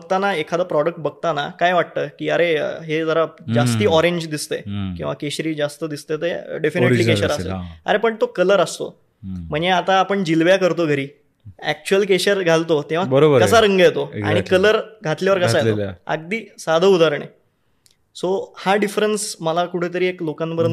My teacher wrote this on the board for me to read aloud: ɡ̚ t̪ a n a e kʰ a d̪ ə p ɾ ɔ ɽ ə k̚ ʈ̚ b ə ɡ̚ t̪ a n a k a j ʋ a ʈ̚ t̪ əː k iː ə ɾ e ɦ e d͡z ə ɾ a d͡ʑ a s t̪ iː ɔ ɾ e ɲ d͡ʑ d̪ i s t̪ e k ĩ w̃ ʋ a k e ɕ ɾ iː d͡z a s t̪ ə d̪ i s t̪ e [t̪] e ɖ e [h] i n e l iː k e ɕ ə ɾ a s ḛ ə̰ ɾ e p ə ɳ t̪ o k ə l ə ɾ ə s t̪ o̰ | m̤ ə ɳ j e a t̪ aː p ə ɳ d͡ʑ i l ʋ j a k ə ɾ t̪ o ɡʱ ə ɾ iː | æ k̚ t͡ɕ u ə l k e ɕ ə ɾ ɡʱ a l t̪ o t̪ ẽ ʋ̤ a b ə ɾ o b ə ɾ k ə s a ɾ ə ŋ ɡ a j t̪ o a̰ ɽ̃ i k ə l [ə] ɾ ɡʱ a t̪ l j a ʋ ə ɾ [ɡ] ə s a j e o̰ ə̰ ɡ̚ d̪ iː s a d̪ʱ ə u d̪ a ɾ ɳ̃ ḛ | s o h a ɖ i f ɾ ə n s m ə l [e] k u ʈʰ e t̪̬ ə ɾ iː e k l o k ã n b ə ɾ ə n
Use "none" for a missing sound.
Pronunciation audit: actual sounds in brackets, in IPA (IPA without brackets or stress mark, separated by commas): t̪, f, ə, k, a